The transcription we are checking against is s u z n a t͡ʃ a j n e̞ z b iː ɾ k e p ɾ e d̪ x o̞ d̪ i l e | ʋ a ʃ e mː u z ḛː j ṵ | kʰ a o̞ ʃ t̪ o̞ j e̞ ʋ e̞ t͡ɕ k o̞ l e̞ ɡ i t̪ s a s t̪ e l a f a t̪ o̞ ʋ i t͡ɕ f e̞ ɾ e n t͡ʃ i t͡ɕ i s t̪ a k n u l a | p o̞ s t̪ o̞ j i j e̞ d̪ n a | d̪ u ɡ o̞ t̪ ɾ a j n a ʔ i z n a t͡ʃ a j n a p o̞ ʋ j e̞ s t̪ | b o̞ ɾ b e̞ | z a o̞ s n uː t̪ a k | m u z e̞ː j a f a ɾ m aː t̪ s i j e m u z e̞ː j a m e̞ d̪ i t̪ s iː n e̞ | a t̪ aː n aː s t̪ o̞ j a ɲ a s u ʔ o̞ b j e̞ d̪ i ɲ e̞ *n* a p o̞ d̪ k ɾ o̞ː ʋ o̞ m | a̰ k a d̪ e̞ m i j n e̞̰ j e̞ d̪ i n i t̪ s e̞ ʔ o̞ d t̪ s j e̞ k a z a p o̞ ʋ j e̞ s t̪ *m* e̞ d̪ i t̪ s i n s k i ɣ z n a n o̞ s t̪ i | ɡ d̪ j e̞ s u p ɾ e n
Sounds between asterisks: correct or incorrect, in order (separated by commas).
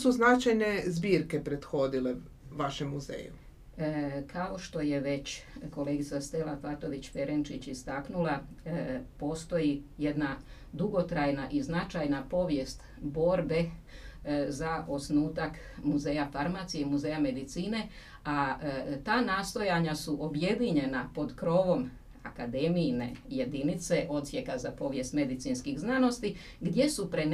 correct, correct